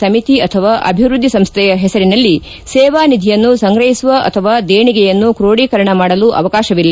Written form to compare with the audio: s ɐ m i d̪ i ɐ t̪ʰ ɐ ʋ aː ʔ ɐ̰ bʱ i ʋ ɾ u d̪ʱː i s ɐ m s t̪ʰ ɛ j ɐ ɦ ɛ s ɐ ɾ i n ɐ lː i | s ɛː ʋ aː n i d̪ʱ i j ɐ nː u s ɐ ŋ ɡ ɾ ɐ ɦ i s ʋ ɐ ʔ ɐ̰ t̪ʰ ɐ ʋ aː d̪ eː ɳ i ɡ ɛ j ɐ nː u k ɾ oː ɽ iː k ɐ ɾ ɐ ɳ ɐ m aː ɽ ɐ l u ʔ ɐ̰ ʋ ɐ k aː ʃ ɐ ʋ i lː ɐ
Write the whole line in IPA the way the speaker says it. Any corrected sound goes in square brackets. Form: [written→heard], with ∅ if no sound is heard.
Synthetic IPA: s ɐ m i [d̪→t̪] i ɐ t̪ʰ ɐ ʋ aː ʔ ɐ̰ bʱ i ʋ ɾ u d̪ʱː i s ɐ m s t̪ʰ ɛ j ɐ ɦ ɛ s ɐ ɾ i n ɐ lː i | s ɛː ʋ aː n i d̪ʱ i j ɐ nː u s ɐ ŋ ɡ ɾ ɐ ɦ i s ʋ ɐ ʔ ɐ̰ t̪ʰ ɐ ʋ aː d̪ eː ɳ i ɡ ɛ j ɐ nː u k ɾ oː ɽ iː k ɐ ɾ ɐ ɳ ɐ m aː ɽ ɐ l u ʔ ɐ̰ ʋ ɐ k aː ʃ ɐ ʋ i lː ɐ